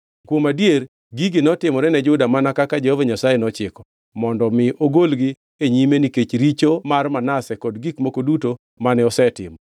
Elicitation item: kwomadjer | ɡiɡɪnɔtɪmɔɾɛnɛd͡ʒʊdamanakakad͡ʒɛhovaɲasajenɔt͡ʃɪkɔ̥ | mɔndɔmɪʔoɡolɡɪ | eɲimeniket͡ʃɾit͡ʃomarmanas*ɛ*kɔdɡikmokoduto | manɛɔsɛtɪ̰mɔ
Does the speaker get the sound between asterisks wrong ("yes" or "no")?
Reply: no